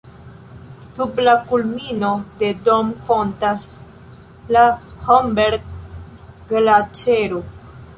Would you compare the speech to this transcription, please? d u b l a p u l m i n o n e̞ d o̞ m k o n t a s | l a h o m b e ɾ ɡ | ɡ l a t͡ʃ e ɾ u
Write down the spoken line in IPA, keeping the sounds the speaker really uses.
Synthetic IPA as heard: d u b l a k u l m i n o d e̞ d o̞ m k o n t a s | l a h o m b e ɾ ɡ | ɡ l a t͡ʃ e ɾ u

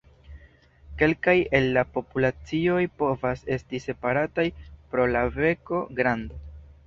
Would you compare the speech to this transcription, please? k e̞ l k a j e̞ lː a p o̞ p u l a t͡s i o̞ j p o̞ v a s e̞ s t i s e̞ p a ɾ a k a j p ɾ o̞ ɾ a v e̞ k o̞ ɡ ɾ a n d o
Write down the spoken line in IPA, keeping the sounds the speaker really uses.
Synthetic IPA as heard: k e̞ l k a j e̞ lː a p o̞ p u l a t͡s i o̞ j p o̞ v a s e̞ s t i s e̞ p a ɾ a t a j p ɾ o̞ l a v e̞ k o̞ ɡ ɾ a n d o

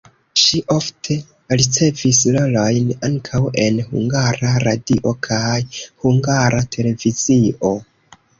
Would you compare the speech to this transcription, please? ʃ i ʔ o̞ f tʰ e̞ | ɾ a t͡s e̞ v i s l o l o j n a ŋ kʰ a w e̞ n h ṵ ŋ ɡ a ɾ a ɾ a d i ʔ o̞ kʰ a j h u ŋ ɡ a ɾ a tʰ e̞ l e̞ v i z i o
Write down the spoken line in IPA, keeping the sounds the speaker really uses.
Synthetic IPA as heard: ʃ i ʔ o̞ f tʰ e̞ | ɾ i t͡s e̞ v i s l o l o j n a ŋ kʰ a w e̞ n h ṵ ŋ ɡ a ɾ a ɾ a d i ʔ o̞ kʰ a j h u ŋ ɡ a ɾ a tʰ e̞ l e̞ v i z i o

